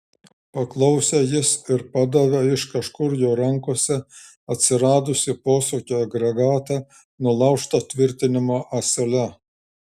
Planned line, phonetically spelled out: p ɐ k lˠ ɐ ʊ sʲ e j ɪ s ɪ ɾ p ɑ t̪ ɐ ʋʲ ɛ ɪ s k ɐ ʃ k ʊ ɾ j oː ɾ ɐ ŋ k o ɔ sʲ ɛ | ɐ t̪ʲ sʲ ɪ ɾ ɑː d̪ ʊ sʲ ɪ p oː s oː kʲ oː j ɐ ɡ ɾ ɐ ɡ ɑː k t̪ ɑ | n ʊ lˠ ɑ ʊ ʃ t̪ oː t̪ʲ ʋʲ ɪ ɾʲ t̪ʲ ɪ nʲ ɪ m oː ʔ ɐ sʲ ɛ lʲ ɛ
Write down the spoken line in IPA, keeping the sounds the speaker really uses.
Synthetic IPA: p ɐ k lˠ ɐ ʊ sʲ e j ɪ s ɪ ɾ p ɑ d̪ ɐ ʋʲ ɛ ɪ ʃ k ɐ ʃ k ʊ ɾ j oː ɾ ɐ ŋ k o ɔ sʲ ɛ | ɐ t̪ʲ sʲ ɪ ɾ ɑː d̪ ʊ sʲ ɪ p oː s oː kʲ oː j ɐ ɡ ɾ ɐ ɡ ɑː t̪ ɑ | n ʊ lˠ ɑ ʊ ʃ t̪ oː t̪ʲ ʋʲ ɪ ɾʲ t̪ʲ ɪ nʲ ɪ m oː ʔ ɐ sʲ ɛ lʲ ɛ